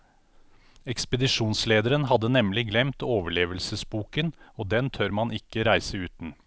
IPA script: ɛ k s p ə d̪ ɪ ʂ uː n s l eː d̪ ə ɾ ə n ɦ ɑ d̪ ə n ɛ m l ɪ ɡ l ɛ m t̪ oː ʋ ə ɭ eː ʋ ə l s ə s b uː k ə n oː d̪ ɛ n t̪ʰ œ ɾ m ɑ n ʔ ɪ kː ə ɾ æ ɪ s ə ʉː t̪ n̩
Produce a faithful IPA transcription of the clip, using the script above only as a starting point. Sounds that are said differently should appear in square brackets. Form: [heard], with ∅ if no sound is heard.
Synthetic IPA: ɛ k s p ə d̪ ɪ ʂ uː n s l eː d̪ ə ɾ ə n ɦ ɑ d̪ ə n ɛ m l ɪ ɡ l ɛ m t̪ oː ʋ ə ɭ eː ʋ ə l s ə s b uː k ə n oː d̪ ɛ n t̪ʰ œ ɾ m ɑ n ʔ ɪ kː ə ɾ æ ɪ s ə ʉː t̪ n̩